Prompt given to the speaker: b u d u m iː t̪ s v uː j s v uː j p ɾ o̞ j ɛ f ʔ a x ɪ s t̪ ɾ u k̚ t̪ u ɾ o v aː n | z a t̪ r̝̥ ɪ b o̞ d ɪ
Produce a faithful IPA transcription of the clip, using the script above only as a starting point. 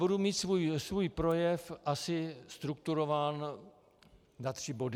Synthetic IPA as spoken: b u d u m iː t̪ s v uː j s v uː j p ɾ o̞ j ɛ f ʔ a s ɪ s t̪ ɾ u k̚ t̪ u ɾ o v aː n | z a t̪ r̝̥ ɪ b o̞ d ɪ